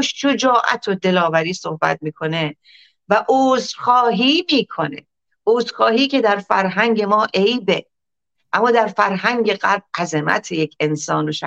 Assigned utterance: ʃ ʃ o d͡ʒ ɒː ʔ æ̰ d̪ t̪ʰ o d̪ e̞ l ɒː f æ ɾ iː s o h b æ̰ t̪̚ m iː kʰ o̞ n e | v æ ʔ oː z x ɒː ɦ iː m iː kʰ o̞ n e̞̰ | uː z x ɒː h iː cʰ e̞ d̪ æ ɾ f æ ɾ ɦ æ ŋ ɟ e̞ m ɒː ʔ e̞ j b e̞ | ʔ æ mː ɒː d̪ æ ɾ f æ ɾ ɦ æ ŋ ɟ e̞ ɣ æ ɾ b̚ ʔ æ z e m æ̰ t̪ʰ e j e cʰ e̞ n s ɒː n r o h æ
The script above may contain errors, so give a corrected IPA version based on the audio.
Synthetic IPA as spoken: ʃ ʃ o d͡ʒ ɒː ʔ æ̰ t̪ʰ o d̪ e̞ l ɒː v æ ɾ iː s o h b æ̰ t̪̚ m iː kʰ o̞ n e | v æ ʔ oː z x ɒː ɦ iː m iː kʰ o̞ n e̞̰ | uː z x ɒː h iː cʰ e̞ d̪ æ ɾ f æ ɾ ɦ æ ŋ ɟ e̞ m ɒː ʔ e̞ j b e̞ | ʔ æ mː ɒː d̪ æ ɾ f æ ɾ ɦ æ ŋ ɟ e̞ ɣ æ ɾ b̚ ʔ æ z e m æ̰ t̪ʰ e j e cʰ e̞ n s ɒː n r o ʃ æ